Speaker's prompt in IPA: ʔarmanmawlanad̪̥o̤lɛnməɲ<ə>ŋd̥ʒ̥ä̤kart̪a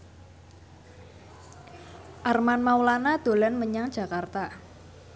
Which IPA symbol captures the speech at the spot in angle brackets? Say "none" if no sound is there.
a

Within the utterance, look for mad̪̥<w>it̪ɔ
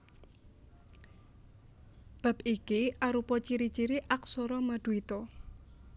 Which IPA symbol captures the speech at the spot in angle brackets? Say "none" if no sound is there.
u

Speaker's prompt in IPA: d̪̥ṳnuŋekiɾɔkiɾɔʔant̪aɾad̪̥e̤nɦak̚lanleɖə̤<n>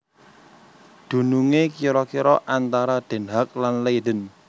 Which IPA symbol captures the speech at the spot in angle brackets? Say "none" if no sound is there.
n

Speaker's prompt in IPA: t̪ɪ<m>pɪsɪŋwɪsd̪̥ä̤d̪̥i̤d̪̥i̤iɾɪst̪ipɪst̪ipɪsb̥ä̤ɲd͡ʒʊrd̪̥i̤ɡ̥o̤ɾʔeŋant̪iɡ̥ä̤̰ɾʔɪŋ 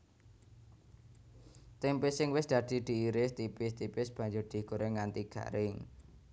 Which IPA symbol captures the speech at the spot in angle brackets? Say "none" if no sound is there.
m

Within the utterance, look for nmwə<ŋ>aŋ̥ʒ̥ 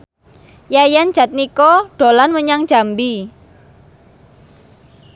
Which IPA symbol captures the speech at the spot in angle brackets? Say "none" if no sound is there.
ɲ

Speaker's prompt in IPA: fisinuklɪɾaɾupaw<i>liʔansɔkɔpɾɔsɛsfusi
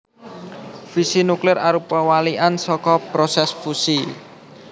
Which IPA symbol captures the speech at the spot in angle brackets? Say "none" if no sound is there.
a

